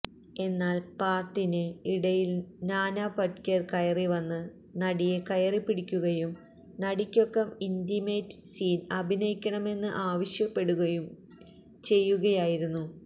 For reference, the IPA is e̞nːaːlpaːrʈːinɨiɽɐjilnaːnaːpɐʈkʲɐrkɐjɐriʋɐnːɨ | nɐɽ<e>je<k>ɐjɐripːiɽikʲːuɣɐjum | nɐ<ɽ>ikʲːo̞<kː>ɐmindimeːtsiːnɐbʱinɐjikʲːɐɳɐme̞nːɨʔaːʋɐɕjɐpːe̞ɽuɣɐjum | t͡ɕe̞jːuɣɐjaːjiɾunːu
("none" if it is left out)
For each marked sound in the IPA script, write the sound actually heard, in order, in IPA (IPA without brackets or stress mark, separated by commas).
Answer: i, k, ɽ, kː